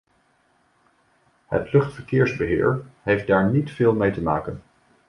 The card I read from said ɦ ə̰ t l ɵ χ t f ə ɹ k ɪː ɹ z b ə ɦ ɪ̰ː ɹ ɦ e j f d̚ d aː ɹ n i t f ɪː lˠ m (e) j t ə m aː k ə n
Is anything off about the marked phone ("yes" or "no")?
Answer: no